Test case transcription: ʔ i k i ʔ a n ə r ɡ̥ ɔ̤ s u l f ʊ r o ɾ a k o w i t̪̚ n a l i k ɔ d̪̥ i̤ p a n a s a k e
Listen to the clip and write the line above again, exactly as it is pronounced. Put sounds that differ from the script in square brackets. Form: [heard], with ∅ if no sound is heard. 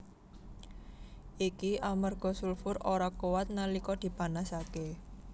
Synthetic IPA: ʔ i k i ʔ a [m] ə r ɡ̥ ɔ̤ s u l f ʊ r o ɾ a k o w [a] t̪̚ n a l i k ɔ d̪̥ i̤ p a n a s a k e